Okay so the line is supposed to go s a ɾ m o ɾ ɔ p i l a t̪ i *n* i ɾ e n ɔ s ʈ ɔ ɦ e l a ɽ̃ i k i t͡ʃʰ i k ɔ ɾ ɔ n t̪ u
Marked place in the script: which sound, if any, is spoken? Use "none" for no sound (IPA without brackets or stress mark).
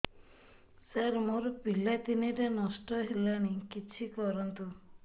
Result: n